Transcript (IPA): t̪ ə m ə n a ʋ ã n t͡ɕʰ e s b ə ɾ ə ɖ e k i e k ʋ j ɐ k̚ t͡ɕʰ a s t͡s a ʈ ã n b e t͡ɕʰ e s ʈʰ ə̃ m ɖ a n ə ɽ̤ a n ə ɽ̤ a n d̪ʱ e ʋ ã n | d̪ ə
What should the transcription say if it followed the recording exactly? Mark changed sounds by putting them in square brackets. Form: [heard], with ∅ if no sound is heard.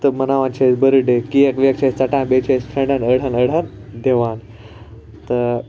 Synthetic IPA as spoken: t̪ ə m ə n a ʋ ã n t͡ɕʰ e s b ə ɾ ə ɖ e k i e k ʋ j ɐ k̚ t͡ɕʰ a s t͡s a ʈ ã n b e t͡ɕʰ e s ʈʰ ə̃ [ɳ] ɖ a n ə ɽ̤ a n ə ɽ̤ a n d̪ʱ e ʋ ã n | [t̪] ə